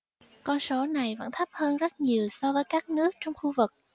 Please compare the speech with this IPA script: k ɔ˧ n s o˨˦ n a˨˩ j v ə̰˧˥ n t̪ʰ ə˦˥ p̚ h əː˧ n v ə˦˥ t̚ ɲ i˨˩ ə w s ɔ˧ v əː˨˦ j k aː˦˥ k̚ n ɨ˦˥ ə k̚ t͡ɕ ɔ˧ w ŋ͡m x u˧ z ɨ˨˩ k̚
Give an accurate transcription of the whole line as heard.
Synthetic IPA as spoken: k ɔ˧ n s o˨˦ n a˨˩ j v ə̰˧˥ n t̪ʰ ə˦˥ p̚ h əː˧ n z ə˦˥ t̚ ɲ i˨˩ ə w s ɔ˧ v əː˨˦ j k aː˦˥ k̚ n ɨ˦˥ ə k̚ t͡ɕ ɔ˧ w ŋ͡m x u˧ v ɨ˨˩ k̚